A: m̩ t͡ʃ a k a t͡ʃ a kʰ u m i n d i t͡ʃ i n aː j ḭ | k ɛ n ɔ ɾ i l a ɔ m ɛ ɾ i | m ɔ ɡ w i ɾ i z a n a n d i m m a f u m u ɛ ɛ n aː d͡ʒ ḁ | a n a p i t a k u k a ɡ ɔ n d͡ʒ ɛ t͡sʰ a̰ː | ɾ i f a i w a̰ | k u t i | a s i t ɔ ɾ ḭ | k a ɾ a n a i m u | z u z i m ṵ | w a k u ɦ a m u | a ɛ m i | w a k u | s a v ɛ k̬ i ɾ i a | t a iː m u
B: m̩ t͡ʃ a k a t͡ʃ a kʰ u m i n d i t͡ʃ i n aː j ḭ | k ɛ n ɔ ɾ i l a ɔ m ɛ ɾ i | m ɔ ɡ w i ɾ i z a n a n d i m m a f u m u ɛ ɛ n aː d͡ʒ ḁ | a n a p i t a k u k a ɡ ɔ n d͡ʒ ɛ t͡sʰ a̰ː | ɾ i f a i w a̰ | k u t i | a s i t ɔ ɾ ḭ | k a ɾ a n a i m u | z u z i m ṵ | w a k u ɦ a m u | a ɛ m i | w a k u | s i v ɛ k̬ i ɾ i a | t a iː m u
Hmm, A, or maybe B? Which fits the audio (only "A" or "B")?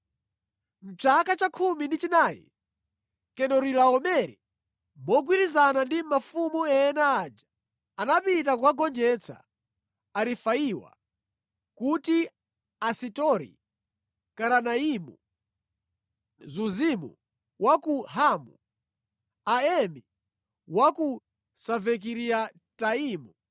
A